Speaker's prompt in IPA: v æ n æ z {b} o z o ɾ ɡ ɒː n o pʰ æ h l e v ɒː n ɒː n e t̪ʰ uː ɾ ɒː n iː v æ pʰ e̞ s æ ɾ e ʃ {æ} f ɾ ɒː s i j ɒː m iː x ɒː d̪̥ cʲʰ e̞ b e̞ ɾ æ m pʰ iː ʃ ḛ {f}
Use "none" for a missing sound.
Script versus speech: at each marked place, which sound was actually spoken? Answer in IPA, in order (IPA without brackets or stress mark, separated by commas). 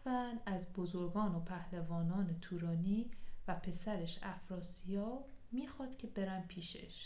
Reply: b, æ, ʃ